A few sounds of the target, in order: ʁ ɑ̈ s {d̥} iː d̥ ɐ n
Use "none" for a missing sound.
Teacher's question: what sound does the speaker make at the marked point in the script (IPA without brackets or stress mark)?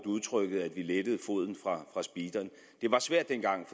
b̥